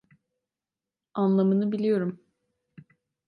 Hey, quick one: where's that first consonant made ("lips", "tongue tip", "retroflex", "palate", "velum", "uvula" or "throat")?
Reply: tongue tip